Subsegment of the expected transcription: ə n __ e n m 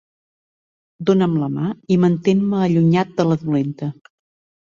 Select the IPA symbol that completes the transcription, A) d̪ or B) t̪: B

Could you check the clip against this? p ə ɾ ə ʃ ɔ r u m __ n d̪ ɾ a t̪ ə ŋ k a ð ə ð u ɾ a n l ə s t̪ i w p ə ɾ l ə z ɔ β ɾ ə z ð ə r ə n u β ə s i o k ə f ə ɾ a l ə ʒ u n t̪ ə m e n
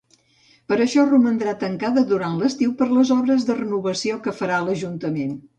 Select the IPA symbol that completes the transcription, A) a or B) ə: B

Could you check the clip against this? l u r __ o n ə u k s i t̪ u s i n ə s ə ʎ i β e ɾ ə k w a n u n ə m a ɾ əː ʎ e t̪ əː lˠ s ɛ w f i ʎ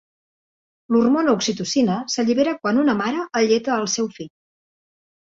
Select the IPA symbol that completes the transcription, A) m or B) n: A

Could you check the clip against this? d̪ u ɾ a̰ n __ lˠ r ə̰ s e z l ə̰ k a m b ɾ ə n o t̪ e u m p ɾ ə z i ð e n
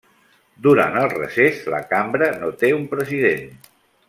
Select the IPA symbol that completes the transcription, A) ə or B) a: A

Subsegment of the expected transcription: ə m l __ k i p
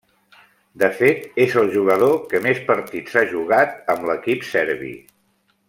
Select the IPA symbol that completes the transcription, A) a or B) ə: B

